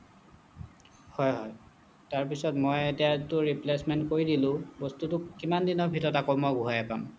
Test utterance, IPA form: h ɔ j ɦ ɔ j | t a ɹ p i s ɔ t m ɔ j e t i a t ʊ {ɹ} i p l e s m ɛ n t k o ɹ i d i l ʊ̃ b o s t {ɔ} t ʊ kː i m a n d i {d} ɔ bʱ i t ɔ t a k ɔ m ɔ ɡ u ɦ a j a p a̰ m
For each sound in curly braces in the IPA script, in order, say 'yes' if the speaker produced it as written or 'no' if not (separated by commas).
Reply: yes, no, no